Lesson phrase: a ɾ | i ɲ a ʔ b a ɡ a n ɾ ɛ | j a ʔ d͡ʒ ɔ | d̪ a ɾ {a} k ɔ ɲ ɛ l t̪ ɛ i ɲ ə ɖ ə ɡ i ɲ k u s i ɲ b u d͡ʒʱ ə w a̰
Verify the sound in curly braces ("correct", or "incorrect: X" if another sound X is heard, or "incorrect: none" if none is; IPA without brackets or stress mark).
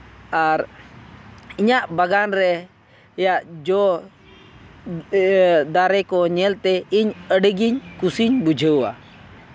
incorrect: ɛ